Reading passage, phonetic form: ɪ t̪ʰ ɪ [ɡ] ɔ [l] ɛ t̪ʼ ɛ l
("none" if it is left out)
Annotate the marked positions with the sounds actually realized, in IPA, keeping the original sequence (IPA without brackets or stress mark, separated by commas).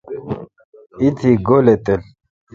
ɡ, l